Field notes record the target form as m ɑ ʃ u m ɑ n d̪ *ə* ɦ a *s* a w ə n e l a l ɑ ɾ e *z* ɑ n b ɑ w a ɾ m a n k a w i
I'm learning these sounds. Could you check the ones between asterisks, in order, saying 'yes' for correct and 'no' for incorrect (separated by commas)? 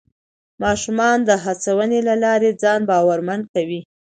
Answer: yes, no, no